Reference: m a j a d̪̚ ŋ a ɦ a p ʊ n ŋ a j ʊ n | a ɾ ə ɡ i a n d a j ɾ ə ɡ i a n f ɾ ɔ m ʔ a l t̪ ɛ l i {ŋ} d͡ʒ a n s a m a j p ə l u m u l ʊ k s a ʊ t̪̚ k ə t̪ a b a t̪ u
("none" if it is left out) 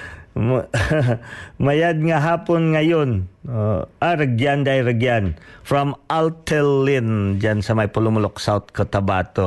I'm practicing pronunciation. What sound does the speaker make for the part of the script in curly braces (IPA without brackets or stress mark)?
n